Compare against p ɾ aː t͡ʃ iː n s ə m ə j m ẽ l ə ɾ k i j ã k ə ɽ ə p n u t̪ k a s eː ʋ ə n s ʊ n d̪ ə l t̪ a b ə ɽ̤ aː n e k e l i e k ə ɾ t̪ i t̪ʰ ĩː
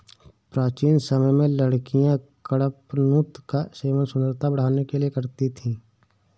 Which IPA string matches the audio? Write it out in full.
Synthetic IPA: p ɾ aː t͡ʃ iː n s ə m ə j m ẽ l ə ɽ k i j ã k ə ɽ ə p n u t̪ k a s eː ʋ ə n s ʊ n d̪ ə ɾ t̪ a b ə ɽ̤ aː n e k e l i e k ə ɾ t̪ i t̪ʰ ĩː